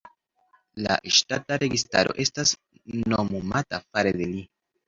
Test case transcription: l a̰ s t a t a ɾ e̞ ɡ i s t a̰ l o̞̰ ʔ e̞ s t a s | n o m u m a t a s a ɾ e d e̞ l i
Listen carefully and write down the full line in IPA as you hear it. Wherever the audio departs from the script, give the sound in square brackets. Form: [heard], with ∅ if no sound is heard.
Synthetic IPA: l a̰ [ʃ] t a t a ɾ e̞ ɡ i s t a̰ [ɾ] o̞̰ ʔ e̞ s t a s | n o m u m a t a [f] a ɾ e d e̞ l i

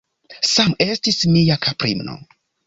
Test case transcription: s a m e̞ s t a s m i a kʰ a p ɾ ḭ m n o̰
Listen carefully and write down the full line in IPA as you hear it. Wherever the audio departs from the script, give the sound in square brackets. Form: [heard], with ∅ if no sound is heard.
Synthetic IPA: s a m e̞ s t [i] s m i a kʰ a p ɾ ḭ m n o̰

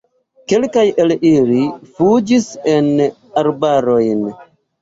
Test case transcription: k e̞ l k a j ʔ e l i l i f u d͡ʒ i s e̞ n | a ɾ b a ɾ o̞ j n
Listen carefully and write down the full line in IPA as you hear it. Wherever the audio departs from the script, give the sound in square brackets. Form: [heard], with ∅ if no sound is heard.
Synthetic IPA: k e̞ l k a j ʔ e l i l i f u d͡ʒ i s e̞ n | a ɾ b a ɾ o̞ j n

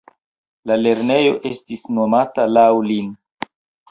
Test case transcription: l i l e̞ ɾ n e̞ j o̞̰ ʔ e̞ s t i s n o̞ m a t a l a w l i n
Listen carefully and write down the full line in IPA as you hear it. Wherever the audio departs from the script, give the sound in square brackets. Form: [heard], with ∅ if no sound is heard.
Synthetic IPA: l [a] l e̞ ɾ n e̞ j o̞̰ ʔ e̞ s t i s n o̞ m a t a l a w l i n

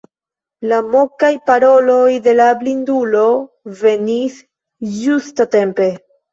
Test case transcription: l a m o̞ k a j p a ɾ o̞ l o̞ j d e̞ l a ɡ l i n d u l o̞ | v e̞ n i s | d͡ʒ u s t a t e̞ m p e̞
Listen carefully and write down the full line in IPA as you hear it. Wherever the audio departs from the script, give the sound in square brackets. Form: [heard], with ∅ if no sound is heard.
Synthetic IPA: l a m o̞ k a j p a ɾ o̞ l o̞ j d e̞ l a [b] l i n d u l o̞ | v e̞ n i s | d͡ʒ u s t a t e̞ m p e̞

